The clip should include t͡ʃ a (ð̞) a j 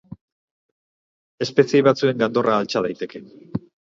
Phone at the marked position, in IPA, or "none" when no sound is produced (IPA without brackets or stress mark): ð̞